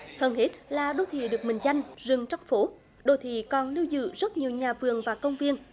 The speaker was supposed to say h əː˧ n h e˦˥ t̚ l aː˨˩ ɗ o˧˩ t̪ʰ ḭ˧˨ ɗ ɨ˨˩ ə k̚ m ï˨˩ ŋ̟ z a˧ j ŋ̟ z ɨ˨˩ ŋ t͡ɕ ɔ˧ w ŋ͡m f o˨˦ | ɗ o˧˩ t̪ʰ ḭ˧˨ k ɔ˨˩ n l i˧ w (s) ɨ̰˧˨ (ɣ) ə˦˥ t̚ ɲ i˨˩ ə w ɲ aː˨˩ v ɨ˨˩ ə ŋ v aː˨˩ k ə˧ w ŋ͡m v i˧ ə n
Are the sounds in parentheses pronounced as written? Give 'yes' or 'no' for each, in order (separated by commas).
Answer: no, no